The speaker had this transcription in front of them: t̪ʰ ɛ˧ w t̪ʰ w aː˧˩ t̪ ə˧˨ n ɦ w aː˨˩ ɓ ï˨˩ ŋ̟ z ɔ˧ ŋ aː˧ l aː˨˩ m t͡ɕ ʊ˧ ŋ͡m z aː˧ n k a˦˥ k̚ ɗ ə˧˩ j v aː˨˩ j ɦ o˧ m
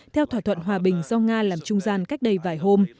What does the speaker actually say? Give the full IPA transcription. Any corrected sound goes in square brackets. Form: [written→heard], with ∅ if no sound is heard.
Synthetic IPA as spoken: t̪ʰ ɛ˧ w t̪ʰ w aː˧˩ [t̪→t̪ʰ] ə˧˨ n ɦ w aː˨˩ ɓ ï˨˩ ŋ̟ z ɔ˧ ŋ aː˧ l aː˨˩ m t͡ɕ ʊ˧ ŋ͡m z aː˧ n k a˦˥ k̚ ɗ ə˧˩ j v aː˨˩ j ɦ o˧ m

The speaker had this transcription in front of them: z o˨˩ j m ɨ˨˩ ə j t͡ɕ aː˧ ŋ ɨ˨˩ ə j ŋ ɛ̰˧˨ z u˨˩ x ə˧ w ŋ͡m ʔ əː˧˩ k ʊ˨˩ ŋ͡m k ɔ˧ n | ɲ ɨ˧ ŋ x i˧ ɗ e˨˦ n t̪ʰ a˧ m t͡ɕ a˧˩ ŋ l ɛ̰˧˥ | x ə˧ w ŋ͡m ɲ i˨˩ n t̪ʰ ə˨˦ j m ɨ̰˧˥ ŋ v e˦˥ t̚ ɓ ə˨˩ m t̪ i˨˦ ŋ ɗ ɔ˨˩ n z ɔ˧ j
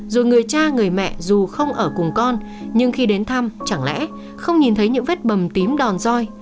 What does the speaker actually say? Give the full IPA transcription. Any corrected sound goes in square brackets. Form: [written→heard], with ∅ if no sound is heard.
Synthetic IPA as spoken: z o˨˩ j [m→ŋ] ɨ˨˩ ə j t͡ɕ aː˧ ŋ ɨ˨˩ ə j [ŋ→m] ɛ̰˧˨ z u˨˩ x ə˧ w ŋ͡m ʔ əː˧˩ k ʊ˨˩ ŋ͡m k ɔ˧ n | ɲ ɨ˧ ŋ x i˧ ɗ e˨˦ n t̪ʰ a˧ m t͡ɕ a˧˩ ŋ l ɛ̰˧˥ | x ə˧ w ŋ͡m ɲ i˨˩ n t̪ʰ ə˨˦ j [m→ɲ] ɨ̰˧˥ ŋ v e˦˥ t̚ ɓ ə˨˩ m t̪ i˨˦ [ŋ→m] ɗ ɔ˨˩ n z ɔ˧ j

